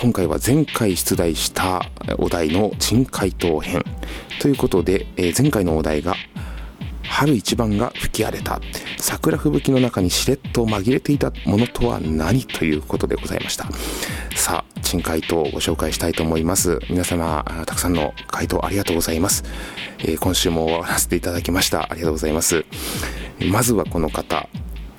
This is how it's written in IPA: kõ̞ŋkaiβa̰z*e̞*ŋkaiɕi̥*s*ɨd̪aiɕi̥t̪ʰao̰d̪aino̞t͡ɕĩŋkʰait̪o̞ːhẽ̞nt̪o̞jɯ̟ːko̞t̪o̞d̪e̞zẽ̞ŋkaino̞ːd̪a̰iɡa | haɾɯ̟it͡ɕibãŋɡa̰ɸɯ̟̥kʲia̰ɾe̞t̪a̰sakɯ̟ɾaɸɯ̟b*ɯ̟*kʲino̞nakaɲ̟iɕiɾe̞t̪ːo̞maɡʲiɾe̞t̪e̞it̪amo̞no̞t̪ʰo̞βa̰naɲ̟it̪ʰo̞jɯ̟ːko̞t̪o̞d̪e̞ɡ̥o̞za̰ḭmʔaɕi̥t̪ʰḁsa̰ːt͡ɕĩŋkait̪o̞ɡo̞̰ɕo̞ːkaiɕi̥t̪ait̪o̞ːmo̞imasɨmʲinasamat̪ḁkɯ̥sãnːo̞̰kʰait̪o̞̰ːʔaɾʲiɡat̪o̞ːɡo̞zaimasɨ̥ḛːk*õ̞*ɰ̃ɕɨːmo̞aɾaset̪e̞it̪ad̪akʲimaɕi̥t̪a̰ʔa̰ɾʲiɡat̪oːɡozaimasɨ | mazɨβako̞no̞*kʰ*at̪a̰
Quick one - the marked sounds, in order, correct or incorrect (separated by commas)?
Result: incorrect, incorrect, correct, correct, incorrect